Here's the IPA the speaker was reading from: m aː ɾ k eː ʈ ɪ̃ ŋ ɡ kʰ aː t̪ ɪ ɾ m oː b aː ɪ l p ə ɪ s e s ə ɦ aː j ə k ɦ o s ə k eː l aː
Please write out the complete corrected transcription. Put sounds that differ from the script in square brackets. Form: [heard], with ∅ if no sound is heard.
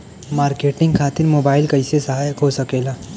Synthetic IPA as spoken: m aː ɾ k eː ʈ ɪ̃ ŋ ɡ kʰ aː t̪ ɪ ɾ m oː b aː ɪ l [k] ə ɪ s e s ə ɦ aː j ə k ɦ o s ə k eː l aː